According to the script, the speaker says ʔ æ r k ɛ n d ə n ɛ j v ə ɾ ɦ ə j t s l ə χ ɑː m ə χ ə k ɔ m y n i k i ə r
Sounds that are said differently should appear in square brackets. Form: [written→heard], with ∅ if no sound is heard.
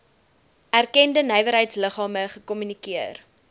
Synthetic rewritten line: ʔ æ r k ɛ n d ə n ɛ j v ə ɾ ɦ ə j t s l ə χ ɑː m ə χ ə k ɔ m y n i k i ə r